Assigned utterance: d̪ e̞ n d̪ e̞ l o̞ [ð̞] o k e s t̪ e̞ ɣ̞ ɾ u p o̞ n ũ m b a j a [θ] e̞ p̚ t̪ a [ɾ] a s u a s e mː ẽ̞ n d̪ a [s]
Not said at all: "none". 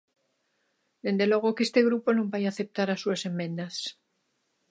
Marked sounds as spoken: ɣ̞, θ, ɾ, s

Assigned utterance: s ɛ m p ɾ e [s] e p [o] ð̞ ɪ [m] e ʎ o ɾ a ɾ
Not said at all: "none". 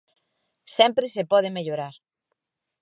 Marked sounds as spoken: s, ɔ, m

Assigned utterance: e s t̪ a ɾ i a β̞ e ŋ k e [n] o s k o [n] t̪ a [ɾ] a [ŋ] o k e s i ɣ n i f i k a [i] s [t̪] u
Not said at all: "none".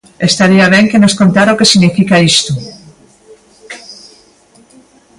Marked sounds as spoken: n, n, ɾ, none, i, t̪

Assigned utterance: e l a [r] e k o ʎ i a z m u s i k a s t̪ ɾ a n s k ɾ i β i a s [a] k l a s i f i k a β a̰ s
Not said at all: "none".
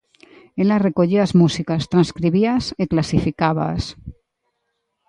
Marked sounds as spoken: r, e

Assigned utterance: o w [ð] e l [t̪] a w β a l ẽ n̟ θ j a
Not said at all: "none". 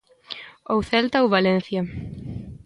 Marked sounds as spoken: θ, t̪

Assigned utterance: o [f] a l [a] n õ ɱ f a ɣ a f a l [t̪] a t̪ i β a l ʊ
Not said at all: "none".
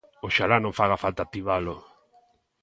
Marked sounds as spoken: ʃ, a, t̪

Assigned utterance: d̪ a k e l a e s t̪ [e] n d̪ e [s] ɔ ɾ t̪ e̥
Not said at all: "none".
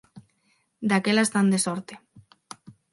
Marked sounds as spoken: a, s

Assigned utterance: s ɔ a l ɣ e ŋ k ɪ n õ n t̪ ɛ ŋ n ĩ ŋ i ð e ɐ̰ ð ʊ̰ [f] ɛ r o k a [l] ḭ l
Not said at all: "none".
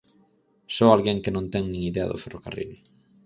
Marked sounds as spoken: f, r

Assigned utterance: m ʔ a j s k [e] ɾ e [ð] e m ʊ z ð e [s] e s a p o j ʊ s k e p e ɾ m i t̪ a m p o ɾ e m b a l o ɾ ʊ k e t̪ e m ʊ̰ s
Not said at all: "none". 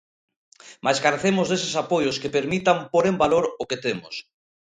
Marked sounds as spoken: a, θ, s

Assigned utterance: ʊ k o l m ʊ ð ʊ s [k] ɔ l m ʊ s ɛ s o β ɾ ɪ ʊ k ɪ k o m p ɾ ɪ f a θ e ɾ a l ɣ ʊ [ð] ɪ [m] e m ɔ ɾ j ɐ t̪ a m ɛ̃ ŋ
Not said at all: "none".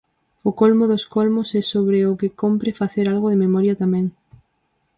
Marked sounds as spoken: k, ð, m

